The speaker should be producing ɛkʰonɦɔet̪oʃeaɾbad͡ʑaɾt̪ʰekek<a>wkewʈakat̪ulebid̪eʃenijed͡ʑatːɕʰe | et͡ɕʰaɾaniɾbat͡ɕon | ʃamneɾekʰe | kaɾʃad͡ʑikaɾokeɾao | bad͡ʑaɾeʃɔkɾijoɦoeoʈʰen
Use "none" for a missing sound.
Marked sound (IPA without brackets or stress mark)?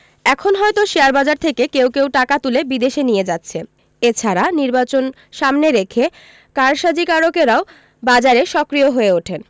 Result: e